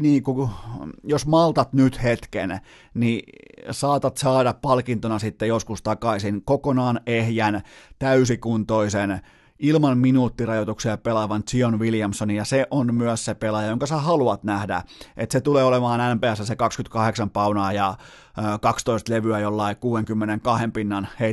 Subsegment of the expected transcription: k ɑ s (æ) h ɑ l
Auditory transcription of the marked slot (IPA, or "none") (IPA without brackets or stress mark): æ